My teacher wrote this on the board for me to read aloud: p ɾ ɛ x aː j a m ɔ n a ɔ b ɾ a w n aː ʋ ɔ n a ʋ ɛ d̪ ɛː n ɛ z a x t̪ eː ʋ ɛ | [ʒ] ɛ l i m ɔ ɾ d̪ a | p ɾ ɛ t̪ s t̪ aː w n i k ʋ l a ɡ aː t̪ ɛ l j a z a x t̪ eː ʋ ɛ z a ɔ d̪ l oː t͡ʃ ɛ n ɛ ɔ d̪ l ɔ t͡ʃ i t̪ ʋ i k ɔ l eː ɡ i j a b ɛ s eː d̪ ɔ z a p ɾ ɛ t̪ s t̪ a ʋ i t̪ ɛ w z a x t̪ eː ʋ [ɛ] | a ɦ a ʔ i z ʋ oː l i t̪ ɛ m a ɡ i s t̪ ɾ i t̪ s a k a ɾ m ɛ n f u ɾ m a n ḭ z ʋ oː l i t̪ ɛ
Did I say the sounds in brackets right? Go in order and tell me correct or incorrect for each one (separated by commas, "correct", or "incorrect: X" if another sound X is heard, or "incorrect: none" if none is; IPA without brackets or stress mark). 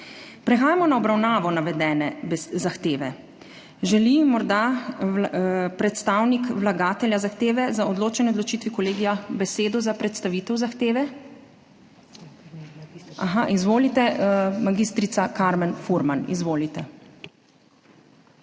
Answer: correct, correct